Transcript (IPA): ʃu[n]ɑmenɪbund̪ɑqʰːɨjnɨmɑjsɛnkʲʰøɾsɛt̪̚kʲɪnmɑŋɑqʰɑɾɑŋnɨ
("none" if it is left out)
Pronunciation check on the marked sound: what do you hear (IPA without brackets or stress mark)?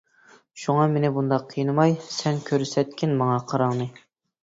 ŋ